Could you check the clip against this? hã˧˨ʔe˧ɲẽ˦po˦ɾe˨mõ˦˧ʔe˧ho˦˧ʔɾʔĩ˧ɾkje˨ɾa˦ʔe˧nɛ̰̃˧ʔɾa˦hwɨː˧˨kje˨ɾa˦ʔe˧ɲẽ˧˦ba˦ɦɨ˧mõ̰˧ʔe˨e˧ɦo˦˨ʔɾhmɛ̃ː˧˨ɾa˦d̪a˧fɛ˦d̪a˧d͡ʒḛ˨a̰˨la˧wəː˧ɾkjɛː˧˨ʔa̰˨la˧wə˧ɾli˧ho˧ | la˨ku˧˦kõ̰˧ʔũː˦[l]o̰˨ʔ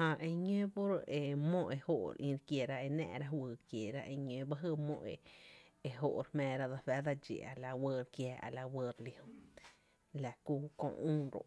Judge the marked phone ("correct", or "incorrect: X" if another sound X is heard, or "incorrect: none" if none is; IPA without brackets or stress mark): incorrect: ɾ